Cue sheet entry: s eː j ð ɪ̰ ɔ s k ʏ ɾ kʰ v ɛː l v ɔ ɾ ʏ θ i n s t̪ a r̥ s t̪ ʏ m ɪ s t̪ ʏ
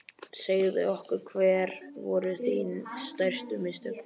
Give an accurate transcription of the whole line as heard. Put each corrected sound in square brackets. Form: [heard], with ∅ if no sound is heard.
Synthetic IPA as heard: s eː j ð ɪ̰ ɔ [h] k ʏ ɾ kʰ v ɛː [ɾ] v ɔ ɾ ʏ θ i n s t̪ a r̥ s t̪ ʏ m ɪ s t̪ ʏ

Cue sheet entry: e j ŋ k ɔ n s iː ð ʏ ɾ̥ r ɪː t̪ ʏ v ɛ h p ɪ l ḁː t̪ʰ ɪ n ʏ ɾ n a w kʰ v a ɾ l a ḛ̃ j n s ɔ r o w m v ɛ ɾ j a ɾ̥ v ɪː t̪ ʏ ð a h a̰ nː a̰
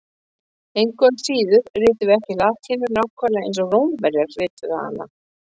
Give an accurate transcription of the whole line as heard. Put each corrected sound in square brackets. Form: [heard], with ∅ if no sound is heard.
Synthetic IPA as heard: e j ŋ k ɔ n s iː ð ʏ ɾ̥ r ɪː t̪ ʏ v ɛ h [c] ɪ l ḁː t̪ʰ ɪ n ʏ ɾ n a w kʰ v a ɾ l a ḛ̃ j n s ɔ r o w m v ɛ ɾ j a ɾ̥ v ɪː t̪ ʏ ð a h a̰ nː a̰

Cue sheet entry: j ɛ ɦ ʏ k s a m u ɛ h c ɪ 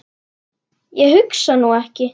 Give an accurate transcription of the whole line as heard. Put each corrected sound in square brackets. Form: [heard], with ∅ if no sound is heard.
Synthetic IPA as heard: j ɛ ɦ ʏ k s a [n] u ɛ h c ɪ

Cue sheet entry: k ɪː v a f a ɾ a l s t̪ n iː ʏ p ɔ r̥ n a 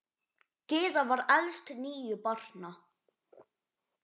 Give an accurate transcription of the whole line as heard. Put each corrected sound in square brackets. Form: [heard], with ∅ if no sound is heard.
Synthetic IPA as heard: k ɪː [ð] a [v] a ɾ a l s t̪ n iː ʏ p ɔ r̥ n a

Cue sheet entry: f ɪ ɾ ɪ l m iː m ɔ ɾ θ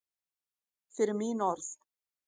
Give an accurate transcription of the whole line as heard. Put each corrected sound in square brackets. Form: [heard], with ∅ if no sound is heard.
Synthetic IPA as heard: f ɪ ɾ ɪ [ɾ] m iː [n] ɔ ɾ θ

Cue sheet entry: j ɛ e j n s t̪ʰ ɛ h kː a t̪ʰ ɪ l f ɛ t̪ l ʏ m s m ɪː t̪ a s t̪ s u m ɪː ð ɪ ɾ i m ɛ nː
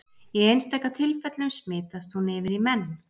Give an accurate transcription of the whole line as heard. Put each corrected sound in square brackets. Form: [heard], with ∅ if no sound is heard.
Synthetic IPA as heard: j ɛ e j n s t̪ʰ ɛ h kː a t̪ʰ ɪ l f ɛ t̪ l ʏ m s m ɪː t̪ a s t̪ [h] u [n] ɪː [v] ɪ ɾ i m ɛ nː

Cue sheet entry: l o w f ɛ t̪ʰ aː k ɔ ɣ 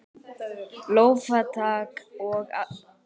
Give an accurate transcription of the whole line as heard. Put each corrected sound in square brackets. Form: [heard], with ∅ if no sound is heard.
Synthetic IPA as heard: l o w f [a] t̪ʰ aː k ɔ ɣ

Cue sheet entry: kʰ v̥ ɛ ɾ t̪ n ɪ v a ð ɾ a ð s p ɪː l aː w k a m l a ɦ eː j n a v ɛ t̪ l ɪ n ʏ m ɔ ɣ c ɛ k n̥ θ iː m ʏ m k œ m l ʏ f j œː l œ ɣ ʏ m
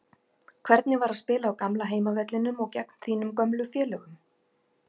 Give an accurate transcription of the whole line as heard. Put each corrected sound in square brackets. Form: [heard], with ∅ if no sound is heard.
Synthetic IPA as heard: kʰ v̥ ɛ ɾ t̪ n ɪ v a [∅] ɾ a ð s p ɪː l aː w k a m l a ɦ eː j [m] a v ɛ t̪ l ɪ n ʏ m ɔ ɣ c ɛ k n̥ θ iː [n] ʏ m k œ m l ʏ f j [ɛː] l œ ɣ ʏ m

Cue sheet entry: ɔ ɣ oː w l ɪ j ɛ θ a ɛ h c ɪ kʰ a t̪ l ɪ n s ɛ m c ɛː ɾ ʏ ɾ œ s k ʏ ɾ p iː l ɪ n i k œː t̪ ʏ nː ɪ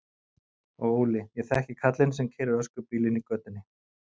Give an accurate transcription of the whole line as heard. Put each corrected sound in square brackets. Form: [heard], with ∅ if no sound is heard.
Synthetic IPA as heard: ɔ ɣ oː w l ɪ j ɛ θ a ɛ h c ɪ kʰ a t̪ l ɪ n s ɛ m [cʰ] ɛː ɾ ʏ ɾ œ s k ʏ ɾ p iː l ɪ n i k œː t̪ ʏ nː ɪ

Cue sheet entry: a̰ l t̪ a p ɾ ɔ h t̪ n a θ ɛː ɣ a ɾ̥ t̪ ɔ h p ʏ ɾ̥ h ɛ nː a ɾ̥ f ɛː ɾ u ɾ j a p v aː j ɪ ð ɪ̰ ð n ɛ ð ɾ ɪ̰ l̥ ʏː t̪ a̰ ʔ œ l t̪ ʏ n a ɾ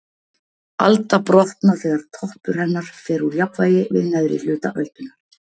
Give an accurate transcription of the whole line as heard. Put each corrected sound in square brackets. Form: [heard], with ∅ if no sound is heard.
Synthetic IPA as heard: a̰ l t̪ a p ɾ ɔ h t̪ n a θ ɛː ɣ a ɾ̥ [t̪ʰ] ɔ h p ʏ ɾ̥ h ɛ nː a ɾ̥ f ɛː ɾ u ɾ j a p v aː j ɪ [v] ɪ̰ ð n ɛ ð ɾ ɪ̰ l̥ ʏː t̪ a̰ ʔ œ l t̪ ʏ n a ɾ

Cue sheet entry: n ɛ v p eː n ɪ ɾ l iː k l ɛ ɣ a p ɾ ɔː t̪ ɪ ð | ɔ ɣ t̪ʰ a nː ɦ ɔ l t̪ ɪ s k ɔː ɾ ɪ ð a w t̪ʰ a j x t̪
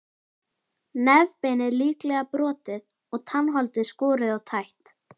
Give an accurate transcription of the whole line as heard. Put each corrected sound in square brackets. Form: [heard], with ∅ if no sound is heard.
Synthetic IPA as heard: n ɛ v p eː n ɪ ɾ l iː k l ɛ ɣ a p ɾ ɔː t̪ ɪ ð | ɔ ɣ t̪ʰ a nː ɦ ɔ l t̪ ɪ s k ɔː ɾ ɪ ð a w t̪ʰ a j [h] t̪

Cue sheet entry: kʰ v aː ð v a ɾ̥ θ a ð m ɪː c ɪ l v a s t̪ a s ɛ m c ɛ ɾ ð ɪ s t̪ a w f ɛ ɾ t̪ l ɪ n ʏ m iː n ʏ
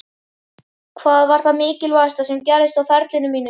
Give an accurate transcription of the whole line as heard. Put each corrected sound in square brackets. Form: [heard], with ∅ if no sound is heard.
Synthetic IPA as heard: kʰ v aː ð v a ɾ̥ θ a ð m ɪː c ɪ l v a s t̪ a s ɛ m c ɛ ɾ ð ɪ s t̪ a w f ɛ ɾ t̪ l ɪ n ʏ m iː n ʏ

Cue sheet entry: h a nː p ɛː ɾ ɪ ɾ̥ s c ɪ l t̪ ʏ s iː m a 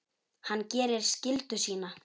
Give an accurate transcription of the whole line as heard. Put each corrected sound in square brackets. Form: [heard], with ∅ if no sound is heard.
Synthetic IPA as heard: h a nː [c] ɛː ɾ ɪ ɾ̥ s c ɪ l t̪ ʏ s iː [n] a

